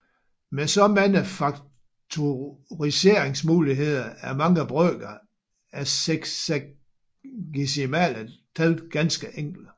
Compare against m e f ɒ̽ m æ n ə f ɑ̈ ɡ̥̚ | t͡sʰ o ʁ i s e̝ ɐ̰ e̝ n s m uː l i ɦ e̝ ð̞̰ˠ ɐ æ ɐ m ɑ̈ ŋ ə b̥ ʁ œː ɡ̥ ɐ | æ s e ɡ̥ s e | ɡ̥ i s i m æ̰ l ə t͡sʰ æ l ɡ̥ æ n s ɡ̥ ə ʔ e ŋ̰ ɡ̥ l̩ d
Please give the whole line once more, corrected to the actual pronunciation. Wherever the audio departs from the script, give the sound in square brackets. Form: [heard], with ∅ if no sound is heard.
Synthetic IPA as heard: m e [s] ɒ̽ m æ n ə f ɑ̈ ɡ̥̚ | t͡sʰ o ʁ i s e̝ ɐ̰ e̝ [ŋ] s m uː l i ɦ e̝ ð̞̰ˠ ɐ æ ɐ m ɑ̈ ŋ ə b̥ ʁ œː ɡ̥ ɐ | æ s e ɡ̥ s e | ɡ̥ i s i m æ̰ l ə t͡sʰ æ l ɡ̥ æ n s ɡ̥ ə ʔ e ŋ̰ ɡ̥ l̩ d